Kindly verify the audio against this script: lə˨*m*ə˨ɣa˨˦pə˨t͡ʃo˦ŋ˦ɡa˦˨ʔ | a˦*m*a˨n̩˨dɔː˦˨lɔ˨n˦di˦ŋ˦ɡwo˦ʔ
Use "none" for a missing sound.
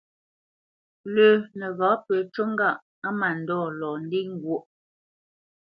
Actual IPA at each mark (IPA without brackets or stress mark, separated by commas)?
n, m